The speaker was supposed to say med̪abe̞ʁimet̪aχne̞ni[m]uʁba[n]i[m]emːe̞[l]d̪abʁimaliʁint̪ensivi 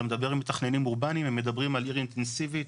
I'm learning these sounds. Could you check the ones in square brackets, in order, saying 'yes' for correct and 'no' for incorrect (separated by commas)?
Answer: yes, yes, yes, no